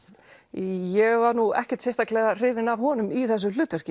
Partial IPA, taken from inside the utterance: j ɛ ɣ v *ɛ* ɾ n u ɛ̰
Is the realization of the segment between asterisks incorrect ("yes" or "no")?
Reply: yes